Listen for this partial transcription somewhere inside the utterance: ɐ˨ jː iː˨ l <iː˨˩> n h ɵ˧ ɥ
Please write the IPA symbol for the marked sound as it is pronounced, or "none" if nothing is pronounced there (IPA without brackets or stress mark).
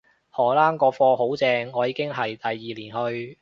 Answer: iː˨˩